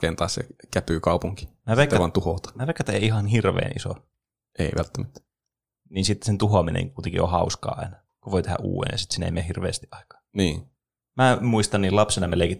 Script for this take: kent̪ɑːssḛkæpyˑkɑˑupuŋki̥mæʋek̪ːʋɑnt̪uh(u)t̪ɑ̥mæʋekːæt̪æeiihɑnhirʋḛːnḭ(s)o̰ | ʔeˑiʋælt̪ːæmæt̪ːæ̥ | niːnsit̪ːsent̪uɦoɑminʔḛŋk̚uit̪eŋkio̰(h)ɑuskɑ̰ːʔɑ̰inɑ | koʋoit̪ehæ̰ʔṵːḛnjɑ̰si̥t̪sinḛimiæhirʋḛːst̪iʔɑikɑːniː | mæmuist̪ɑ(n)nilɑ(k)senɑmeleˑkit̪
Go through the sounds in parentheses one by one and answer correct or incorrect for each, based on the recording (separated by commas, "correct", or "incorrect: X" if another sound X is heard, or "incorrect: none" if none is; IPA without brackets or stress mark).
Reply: incorrect: o, correct, correct, correct, incorrect: p